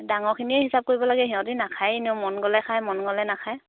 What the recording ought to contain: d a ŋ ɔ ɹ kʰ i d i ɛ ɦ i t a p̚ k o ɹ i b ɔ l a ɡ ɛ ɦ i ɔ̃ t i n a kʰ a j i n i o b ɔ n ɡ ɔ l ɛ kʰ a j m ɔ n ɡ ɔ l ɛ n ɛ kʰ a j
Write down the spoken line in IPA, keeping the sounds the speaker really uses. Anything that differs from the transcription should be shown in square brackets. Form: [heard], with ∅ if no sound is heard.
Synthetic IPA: d a ŋ ɔ ɹ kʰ i [n] i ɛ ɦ i [s] a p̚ k o ɹ i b ɔ l a ɡ ɛ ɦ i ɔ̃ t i n a kʰ a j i n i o [m] ɔ n ɡ ɔ l ɛ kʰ a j m ɔ n ɡ ɔ l ɛ n [a] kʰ a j